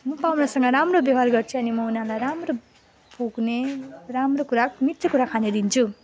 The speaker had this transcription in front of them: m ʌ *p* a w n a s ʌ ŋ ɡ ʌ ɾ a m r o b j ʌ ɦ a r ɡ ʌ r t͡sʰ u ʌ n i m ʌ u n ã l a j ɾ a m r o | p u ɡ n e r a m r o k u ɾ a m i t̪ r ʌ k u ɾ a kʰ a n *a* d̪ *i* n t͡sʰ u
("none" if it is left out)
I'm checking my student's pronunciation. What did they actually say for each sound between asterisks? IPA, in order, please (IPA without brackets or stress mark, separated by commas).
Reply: p, e, i